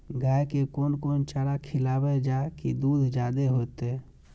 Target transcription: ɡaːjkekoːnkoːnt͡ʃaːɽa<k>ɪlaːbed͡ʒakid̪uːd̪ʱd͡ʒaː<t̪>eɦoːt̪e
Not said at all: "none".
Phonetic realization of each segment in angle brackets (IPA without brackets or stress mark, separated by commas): kʰ, d̪